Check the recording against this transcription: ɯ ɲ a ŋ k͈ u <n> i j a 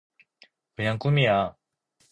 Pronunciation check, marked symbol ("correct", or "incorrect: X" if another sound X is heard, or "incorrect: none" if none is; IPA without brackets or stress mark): incorrect: m